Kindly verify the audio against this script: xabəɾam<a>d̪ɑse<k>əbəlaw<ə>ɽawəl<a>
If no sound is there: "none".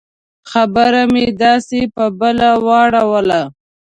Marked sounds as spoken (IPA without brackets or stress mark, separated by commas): e, p, ɑ, a